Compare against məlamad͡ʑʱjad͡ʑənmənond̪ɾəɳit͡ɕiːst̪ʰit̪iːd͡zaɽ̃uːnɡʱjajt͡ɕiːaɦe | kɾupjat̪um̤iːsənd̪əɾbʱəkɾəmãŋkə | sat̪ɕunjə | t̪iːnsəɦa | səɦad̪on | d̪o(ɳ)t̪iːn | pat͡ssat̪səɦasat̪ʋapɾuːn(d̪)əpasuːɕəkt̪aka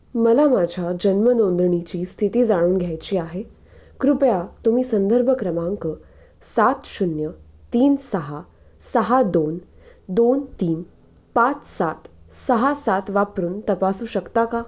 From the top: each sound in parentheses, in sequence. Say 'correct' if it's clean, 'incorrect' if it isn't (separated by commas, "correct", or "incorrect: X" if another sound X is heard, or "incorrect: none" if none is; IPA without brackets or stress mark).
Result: incorrect: n, incorrect: t̪